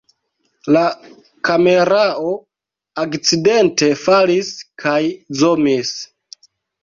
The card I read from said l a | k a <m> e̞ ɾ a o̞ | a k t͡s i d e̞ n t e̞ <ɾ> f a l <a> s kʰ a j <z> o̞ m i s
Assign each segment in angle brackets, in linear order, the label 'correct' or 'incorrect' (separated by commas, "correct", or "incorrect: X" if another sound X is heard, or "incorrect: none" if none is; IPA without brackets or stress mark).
correct, incorrect: none, incorrect: i, correct